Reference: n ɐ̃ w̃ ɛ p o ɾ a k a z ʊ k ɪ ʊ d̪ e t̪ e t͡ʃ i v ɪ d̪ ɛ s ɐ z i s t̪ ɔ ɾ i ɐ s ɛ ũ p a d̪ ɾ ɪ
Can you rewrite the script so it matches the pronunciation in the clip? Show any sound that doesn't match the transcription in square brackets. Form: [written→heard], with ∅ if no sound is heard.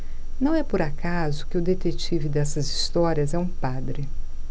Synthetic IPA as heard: n ɐ̃ w̃ ɛ p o ɾ a k a z ʊ k ɪ ʊ d̪ e t̪ e t͡ʃ i v ɪ d̪ ɛ s ɐ z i s t̪ ɔ ɾ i ɐ [s→z] ɛ ũ p a d̪ ɾ ɪ